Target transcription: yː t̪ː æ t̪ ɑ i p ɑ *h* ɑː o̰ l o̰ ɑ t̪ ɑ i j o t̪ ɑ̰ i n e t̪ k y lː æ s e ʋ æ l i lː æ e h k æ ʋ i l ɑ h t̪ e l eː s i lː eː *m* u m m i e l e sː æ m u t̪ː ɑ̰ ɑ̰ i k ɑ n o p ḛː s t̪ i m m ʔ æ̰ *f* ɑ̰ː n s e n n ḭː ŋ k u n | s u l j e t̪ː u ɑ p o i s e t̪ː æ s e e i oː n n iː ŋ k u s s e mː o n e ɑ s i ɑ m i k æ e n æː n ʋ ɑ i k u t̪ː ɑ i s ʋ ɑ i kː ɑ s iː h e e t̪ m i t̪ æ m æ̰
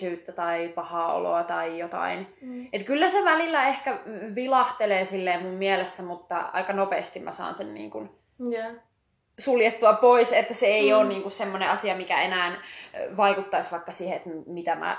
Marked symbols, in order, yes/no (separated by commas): yes, yes, no